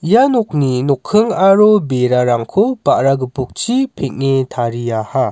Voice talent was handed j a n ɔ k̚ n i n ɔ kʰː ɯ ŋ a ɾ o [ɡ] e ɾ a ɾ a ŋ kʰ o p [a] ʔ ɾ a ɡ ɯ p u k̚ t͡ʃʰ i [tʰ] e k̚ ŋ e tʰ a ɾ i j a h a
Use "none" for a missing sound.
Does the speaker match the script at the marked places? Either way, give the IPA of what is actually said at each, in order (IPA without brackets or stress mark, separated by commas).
b, a, pʰ